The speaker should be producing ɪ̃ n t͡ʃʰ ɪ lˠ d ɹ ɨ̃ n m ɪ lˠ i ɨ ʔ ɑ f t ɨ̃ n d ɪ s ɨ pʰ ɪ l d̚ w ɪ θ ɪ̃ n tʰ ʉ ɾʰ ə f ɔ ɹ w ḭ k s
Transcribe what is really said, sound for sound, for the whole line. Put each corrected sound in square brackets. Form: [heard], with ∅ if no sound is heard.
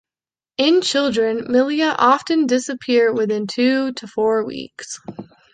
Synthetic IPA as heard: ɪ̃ n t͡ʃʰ ɪ lˠ d ɹ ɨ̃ n m ɪ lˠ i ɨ ʔ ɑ f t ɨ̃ n d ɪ s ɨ pʰ ɪ [ɹ] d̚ w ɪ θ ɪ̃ n tʰ ʉ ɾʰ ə f ɔ ɹ w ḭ k s